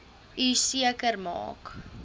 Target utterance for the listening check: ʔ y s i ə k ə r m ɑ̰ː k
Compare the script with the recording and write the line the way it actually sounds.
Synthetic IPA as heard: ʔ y s i ə k ə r m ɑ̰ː k